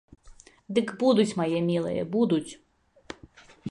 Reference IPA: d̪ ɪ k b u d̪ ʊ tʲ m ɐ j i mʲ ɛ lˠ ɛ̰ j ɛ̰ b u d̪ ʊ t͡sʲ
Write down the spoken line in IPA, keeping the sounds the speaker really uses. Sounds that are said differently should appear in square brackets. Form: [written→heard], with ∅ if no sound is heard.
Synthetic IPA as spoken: d̪ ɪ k b u d̪ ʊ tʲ m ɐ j [i→ɛ] mʲ [ɛ→i] lˠ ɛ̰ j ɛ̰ b u d̪ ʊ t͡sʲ